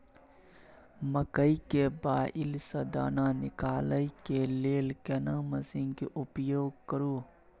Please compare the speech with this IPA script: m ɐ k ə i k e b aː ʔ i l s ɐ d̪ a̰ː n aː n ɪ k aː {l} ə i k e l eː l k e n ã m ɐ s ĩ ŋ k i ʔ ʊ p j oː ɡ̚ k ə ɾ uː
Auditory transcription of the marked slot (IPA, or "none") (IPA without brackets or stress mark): l